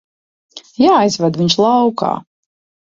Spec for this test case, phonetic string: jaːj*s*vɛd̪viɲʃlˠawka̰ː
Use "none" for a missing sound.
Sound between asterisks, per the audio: z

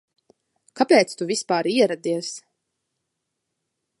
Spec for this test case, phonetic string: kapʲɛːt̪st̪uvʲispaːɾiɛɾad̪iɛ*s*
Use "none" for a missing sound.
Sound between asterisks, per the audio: s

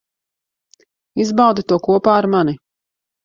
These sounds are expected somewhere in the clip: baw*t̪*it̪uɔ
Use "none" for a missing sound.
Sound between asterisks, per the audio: d̪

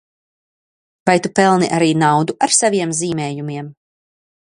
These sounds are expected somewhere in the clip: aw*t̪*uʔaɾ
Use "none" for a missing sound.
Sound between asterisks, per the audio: d̪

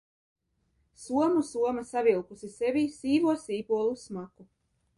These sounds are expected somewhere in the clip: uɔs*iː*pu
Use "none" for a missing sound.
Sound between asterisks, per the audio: iː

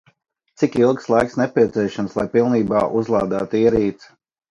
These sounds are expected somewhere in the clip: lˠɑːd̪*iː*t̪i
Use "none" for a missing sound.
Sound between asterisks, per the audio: aː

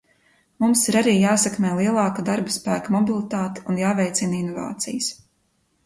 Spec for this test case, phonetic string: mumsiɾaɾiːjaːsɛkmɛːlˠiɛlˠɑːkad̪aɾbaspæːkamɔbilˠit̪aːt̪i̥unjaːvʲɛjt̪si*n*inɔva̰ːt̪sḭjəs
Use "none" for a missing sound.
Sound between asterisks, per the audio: n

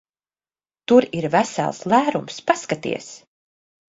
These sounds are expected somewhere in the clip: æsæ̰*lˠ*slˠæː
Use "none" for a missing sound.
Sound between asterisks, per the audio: lˠ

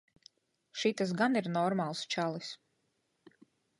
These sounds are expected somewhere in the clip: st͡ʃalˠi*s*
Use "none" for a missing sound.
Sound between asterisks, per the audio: s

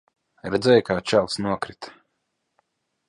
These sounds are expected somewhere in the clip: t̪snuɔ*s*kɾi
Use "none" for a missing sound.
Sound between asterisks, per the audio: none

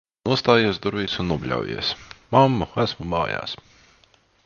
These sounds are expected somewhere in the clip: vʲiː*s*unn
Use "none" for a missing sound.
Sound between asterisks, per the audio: s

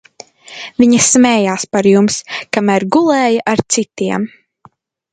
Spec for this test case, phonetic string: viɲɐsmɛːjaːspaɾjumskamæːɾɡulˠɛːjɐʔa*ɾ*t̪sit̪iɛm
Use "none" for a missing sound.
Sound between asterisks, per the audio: ɾ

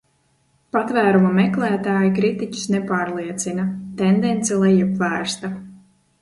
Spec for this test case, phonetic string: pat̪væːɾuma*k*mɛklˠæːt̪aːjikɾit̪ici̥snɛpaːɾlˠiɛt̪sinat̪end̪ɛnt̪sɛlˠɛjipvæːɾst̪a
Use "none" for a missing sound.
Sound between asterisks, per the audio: none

